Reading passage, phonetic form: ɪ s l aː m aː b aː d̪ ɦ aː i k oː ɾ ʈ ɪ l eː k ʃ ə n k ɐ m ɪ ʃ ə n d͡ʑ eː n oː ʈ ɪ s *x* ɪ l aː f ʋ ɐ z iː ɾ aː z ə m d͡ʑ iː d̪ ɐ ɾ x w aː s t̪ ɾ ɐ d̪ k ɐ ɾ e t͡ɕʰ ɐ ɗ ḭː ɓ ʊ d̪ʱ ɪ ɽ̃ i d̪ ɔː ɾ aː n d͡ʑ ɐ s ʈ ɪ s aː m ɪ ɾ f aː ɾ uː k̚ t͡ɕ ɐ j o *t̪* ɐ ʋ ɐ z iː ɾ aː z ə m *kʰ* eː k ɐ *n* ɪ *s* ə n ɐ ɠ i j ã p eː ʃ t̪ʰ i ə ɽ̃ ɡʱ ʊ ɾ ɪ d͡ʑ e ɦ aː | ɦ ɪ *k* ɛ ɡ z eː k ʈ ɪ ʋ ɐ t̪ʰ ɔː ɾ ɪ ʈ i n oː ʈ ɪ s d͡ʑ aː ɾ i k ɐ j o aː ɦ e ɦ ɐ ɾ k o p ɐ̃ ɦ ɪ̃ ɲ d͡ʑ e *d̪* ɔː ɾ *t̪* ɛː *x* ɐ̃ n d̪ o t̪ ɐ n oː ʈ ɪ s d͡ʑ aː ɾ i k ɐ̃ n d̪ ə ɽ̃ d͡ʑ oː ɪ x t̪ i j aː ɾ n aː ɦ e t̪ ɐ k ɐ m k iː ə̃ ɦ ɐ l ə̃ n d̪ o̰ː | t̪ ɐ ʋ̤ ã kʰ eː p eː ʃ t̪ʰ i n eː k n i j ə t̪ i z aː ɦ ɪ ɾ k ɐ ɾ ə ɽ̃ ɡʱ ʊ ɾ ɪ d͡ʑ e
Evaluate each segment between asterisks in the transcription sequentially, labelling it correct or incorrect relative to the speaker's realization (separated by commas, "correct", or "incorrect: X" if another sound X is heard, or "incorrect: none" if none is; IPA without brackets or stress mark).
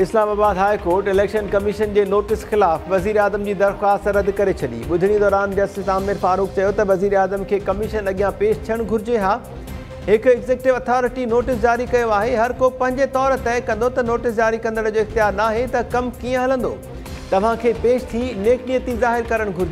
correct, correct, correct, incorrect: m, incorrect: ʃ, correct, incorrect: t̪, correct, incorrect: k